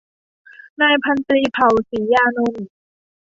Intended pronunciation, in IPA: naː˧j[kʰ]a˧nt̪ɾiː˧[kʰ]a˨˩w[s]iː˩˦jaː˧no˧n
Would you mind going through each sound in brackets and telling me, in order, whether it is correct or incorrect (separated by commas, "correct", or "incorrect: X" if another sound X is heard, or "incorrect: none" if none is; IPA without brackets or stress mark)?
incorrect: pʰ, incorrect: pʰ, correct